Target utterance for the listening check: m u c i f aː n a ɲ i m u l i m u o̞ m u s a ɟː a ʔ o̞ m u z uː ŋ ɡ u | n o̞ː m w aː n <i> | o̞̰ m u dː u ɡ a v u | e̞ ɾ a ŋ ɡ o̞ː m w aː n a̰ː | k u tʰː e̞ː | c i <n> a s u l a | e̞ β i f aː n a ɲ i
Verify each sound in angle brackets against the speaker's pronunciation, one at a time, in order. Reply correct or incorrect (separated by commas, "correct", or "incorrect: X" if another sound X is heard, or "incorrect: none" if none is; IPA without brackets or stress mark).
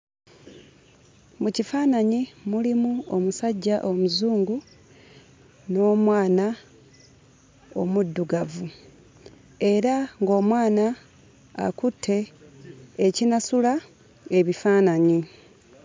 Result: incorrect: a, correct